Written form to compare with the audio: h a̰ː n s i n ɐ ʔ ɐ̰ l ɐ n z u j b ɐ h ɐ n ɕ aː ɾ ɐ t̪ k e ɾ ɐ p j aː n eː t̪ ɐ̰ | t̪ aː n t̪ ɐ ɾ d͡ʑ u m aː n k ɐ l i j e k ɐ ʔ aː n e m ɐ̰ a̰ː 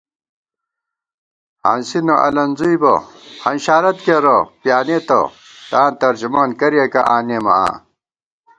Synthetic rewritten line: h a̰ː n s i n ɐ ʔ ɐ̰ l ɐ n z u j b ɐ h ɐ n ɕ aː ɾ ɐ t̪ k e ɾ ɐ p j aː n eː t̪ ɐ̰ | t̪ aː n t̪ ɐ ɾ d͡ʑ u m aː n k ɐ ɾ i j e k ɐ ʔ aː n e m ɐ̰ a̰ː